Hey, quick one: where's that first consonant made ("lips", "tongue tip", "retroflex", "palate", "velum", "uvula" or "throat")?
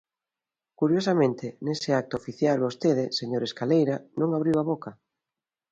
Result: velum